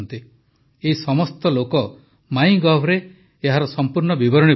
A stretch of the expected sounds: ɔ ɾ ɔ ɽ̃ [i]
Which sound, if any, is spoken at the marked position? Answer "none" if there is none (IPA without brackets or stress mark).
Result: i